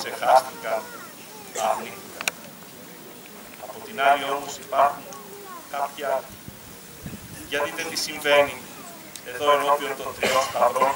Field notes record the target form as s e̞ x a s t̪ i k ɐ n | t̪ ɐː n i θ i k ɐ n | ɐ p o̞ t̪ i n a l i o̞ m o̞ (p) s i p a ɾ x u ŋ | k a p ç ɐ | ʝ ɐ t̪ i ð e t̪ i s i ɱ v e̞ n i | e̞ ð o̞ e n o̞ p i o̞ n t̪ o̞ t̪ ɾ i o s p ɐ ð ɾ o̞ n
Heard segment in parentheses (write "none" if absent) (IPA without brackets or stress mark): none